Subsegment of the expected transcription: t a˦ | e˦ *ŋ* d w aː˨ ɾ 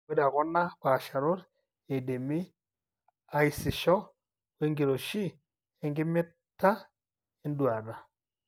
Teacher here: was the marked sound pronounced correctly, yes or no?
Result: no